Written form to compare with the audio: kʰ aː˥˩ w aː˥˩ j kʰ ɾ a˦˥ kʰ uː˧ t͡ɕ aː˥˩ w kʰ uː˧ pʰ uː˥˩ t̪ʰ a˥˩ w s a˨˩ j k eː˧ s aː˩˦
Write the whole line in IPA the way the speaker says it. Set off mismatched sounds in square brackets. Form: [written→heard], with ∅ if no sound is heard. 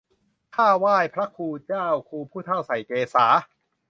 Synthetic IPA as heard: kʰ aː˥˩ w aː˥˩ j [kʰ→pʰ] ɾ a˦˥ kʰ uː˧ t͡ɕ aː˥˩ w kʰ uː˧ pʰ uː˥˩ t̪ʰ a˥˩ w s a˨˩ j k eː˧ s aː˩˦